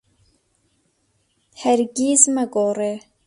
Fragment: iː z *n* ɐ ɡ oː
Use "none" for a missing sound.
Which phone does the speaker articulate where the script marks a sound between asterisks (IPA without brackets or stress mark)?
m